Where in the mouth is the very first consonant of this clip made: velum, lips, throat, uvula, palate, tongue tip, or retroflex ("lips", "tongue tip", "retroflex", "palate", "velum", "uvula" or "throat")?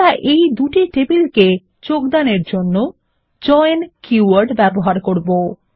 throat